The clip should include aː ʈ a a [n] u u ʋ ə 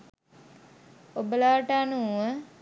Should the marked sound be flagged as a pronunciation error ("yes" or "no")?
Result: no